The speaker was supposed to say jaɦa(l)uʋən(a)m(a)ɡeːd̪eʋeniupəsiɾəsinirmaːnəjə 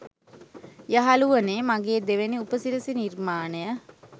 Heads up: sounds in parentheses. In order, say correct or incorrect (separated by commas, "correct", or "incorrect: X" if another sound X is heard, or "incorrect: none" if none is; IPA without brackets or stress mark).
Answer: correct, incorrect: e, correct